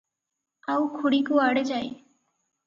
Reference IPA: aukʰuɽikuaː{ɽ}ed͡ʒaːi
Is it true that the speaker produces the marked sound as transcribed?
yes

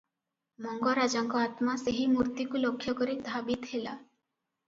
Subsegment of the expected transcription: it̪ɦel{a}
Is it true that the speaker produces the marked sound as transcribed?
yes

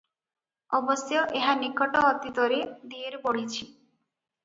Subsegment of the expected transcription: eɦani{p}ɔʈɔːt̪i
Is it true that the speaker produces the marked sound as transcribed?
no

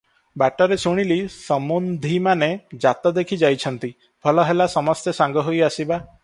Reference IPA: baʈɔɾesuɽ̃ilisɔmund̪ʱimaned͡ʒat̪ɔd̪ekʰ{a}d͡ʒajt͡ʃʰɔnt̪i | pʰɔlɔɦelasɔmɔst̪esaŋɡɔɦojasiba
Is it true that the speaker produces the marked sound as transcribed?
no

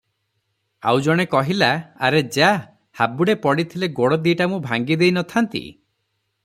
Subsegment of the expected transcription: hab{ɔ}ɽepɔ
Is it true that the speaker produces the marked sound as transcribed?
no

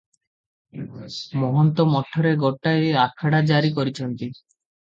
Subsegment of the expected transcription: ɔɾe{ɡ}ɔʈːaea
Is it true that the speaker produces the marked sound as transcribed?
yes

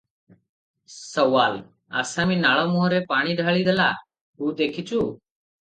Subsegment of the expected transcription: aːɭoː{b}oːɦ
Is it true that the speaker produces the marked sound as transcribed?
no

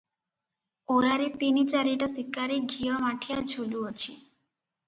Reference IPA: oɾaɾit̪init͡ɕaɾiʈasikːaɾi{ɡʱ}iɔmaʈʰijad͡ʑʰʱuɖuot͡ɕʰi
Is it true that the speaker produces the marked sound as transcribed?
yes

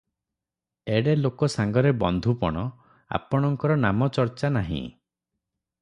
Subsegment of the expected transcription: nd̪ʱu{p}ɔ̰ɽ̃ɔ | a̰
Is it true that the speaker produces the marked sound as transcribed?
yes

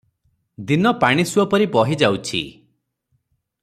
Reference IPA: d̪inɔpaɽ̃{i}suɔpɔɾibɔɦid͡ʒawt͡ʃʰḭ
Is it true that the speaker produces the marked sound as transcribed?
yes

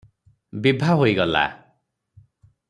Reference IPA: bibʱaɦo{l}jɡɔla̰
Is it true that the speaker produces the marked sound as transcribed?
no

